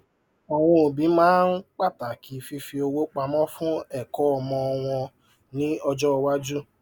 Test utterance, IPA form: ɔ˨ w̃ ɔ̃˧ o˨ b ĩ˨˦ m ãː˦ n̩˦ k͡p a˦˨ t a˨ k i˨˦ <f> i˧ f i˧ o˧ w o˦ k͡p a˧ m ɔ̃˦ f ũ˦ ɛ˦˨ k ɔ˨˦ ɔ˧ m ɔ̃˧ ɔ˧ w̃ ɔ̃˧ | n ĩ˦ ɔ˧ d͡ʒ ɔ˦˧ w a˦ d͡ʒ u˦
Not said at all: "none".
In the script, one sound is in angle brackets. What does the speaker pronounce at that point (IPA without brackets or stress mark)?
f